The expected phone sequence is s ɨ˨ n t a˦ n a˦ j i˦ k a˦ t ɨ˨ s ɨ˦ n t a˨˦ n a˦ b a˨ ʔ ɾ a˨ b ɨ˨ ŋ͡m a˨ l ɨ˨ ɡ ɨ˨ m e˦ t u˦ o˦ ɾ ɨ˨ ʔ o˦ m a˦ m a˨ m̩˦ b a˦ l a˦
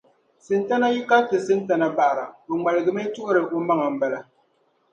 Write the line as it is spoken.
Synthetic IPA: s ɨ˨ n t a˦ n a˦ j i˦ k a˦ t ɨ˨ s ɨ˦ n t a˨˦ n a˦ b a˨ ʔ ɾ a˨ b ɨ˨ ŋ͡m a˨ l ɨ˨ ɡ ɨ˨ m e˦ t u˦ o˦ ɾ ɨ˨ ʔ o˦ m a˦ ŋ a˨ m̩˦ b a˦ l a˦